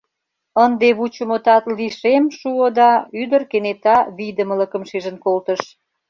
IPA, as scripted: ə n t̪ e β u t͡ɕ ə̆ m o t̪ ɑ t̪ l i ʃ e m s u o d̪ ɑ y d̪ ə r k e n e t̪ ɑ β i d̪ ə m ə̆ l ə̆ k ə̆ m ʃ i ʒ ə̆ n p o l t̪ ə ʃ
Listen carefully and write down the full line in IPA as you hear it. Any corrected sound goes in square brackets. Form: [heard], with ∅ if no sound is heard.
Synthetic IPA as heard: ə n [d̪] e β u t͡ɕ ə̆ m o t̪ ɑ t̪ l i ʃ e m [ʃ] u o d̪ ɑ y d̪ ə r k e n e t̪ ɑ β i d̪ ə m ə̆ l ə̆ k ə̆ m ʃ i ʒ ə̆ n [k] o l t̪ ə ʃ